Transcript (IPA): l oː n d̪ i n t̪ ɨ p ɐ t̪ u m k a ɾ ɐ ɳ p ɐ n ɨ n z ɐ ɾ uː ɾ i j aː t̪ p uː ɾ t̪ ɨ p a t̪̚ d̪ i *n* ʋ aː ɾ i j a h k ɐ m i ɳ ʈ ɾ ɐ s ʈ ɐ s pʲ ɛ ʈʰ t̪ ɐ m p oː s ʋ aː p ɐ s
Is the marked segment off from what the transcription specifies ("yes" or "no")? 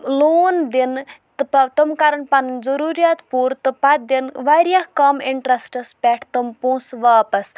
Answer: no